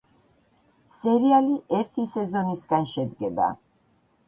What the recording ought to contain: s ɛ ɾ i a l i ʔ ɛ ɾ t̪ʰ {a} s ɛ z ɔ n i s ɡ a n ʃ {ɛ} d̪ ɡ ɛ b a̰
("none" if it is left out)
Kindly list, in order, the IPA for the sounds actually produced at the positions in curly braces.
i, ɛ

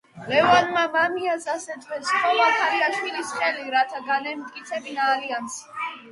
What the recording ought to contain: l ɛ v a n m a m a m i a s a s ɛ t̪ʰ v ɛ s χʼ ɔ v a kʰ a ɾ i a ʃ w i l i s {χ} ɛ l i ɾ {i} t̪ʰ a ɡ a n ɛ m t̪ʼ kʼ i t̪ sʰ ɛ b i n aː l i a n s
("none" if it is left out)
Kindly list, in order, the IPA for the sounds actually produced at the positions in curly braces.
χ, a

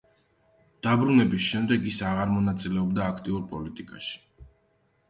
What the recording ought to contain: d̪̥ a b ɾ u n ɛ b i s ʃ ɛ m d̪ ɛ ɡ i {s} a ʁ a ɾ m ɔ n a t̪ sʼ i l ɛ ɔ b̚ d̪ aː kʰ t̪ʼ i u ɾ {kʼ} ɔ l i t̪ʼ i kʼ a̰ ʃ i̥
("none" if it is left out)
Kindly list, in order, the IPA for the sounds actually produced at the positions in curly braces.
s, pʼ

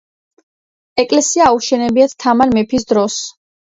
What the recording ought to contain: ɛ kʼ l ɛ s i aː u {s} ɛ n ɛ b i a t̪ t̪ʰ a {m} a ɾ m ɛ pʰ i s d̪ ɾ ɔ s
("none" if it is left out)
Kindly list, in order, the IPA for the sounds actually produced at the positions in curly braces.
ʃ, m

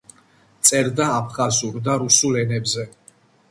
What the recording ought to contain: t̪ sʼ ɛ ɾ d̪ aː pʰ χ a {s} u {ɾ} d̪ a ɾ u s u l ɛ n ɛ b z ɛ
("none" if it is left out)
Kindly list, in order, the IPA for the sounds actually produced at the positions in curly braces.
z, ɾ

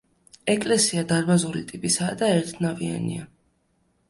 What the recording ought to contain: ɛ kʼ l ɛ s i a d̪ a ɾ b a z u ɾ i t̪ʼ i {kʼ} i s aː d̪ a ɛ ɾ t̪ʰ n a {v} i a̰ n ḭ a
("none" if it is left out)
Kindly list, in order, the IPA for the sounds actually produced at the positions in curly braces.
pʼ, v

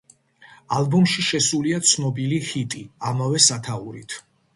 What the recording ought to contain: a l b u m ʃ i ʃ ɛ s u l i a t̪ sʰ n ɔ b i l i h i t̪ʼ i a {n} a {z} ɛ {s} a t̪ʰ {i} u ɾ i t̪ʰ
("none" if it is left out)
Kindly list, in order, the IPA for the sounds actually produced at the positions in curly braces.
m, v, s, a

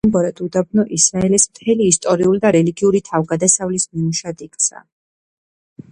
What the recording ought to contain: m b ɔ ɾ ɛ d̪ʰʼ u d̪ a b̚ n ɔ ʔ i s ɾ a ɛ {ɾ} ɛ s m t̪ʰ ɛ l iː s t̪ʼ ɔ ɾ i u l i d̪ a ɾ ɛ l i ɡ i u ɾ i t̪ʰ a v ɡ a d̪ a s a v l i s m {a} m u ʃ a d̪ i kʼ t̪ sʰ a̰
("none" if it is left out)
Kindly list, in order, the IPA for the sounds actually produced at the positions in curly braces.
l, i

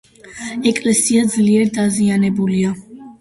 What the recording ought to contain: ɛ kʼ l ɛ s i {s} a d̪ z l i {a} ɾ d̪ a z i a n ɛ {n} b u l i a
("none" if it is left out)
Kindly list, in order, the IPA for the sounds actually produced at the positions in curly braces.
none, ɛ, none

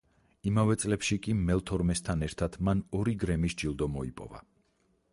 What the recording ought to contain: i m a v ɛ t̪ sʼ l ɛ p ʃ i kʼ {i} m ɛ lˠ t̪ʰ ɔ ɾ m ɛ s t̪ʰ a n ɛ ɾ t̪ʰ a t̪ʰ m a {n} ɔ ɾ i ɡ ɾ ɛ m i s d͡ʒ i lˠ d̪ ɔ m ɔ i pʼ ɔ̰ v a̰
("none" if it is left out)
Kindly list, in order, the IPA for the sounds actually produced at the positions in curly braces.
i, n

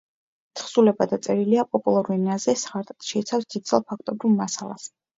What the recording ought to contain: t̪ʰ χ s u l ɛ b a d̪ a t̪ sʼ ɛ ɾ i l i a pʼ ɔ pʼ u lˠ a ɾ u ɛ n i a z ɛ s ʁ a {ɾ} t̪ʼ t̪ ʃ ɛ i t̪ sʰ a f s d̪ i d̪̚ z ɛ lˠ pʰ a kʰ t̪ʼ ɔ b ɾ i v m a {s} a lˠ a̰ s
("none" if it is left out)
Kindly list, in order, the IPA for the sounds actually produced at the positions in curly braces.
ɾ, s

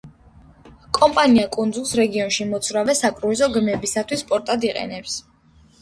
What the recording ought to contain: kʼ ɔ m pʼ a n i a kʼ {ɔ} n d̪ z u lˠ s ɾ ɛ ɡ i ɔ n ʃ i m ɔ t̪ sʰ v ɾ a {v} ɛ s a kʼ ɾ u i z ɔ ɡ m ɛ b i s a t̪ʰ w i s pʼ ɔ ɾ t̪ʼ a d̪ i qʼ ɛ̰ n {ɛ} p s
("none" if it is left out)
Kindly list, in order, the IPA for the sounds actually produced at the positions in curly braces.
u, v, ɛ

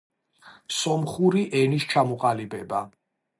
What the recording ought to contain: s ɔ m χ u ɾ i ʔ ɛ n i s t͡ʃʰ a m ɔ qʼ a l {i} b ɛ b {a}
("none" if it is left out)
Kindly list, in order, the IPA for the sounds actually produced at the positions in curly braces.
i, a

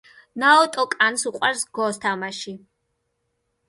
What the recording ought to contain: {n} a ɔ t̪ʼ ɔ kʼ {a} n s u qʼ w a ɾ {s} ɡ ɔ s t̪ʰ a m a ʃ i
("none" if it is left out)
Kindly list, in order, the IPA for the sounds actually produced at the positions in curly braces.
n, a, s

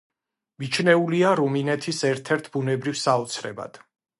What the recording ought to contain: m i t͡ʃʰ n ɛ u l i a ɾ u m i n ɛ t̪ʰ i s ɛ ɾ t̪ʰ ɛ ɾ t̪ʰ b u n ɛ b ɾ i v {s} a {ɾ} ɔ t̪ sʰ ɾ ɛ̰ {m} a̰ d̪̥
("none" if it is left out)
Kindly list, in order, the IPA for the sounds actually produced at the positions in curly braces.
s, none, b

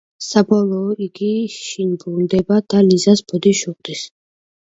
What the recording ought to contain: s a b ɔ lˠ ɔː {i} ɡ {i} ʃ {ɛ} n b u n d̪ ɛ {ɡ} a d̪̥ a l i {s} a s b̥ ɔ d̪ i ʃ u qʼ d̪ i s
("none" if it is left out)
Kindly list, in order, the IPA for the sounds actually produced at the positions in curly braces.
i, i, i, b, z

